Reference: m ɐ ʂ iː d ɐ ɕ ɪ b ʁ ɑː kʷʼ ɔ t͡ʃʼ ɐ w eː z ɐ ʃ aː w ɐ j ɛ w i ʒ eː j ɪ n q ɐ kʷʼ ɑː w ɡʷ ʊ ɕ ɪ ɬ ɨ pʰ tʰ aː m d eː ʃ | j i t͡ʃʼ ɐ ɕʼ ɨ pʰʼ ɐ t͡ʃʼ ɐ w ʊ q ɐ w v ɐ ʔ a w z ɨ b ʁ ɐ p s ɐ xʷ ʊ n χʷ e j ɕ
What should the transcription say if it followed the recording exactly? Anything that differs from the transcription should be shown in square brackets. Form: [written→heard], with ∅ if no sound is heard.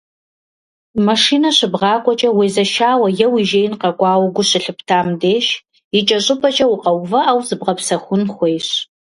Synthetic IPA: m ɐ ʂ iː [d→n] ɐ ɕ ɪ b ʁ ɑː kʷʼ ɔ t͡ʃʼ ɐ w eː z ɐ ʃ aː w ɐ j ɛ w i ʒ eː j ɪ n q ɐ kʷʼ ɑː w ɡʷ ʊ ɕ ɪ ɬ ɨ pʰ tʰ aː m d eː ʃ | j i t͡ʃʼ ɐ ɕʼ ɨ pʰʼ ɐ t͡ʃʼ ɐ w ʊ q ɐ w v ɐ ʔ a w z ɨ b ʁ ɐ p s ɐ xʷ ʊ n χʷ e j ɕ